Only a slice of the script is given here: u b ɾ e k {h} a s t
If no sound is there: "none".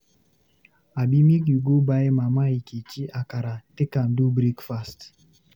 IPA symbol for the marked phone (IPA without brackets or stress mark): f